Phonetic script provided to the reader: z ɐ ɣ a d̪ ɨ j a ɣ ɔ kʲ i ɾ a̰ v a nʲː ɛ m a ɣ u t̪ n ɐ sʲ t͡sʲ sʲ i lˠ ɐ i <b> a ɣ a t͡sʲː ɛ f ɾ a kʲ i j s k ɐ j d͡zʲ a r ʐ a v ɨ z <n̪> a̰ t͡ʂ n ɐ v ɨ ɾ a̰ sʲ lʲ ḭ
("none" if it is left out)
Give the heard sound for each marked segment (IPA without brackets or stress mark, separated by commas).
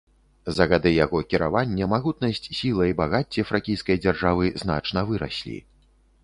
b, n̪